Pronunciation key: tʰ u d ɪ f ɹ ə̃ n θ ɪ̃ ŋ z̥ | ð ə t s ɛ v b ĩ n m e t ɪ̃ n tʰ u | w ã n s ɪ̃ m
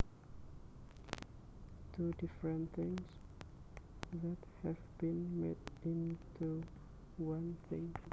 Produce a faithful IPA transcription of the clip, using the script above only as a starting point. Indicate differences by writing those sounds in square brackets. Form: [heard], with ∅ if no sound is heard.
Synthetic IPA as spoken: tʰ u d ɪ f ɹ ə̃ n θ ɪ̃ ŋ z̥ | ð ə t [h] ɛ v b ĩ n m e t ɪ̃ n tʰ u | w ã n [θ] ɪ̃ [ŋ]